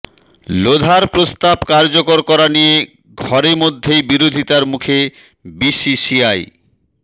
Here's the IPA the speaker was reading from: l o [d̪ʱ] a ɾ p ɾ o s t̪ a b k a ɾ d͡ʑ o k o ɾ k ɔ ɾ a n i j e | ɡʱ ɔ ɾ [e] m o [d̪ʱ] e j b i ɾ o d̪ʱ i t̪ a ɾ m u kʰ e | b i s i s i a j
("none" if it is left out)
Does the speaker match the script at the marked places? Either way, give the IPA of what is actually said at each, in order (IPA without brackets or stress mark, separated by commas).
d̪ʱ, e, d̪ʱː